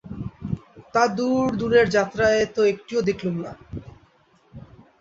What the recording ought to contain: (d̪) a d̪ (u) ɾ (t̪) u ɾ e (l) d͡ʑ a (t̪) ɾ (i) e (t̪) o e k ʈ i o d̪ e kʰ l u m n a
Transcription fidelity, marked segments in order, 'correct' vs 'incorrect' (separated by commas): incorrect, correct, incorrect, incorrect, correct, incorrect, correct